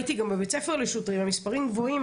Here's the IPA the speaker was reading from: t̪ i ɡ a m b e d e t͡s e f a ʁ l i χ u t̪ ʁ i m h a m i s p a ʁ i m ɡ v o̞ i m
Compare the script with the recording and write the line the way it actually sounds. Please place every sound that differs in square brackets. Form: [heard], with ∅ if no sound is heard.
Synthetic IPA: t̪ i ɡ a m b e [b] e t͡s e f [e] ʁ l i [ʃ] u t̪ ʁ i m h a m i s p a ʁ i m ɡ v o̞ i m